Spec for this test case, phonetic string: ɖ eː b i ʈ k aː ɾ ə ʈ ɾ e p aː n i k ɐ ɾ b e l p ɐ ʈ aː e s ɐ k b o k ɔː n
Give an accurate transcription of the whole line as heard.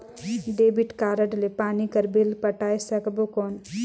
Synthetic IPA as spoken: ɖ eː b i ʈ k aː ɾ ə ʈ l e p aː n i k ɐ ɾ b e l p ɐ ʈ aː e s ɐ k b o k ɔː n